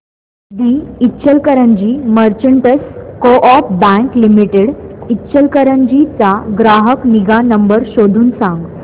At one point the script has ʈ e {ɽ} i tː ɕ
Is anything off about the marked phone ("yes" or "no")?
no